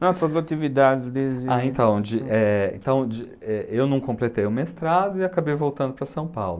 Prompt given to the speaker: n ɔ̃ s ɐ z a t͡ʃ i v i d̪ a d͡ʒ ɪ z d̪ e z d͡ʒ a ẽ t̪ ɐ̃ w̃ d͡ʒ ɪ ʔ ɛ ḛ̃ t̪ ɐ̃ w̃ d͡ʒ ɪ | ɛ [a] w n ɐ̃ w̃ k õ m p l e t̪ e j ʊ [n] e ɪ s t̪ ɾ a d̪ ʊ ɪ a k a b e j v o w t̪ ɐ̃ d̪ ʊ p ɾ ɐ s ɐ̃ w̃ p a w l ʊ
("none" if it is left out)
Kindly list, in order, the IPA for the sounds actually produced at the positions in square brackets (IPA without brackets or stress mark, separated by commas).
e, m